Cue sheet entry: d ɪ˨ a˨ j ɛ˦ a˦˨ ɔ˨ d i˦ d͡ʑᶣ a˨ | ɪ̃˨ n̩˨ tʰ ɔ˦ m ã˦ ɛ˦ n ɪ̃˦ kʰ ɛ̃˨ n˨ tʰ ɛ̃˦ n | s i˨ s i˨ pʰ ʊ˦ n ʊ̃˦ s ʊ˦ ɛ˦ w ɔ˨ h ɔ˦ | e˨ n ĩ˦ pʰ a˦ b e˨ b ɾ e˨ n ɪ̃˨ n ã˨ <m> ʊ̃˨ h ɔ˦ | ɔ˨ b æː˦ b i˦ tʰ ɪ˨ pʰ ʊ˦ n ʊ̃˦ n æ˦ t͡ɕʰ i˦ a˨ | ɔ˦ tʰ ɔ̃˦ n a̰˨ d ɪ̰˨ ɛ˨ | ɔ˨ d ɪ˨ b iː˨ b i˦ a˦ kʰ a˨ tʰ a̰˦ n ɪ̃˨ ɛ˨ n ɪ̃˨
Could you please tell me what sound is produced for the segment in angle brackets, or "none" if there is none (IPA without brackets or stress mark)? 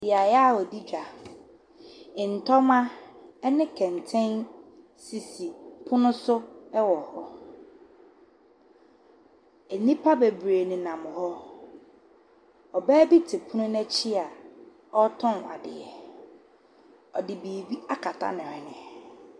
m